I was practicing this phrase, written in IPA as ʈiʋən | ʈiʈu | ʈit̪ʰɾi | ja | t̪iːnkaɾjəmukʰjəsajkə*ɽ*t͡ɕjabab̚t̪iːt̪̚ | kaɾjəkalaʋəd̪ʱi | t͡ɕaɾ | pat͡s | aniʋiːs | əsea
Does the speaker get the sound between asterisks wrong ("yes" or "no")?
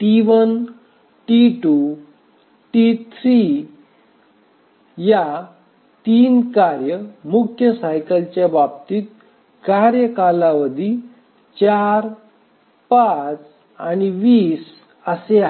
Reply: yes